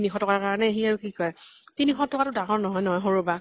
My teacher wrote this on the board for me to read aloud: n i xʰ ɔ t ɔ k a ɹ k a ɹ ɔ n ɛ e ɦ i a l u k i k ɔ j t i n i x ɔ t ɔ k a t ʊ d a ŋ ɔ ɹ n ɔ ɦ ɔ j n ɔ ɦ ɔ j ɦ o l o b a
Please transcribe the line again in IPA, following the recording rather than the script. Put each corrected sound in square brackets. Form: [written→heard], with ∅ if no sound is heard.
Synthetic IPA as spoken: n i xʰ ɔ t ɔ k a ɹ k a ɹ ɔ n ɛ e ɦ i a [l→ɹ] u k i k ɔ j t i n i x ɔ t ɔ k a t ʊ d a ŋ ɔ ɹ n ɔ ɦ ɔ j n ɔ ɦ ɔ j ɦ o [l→ɹ] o b a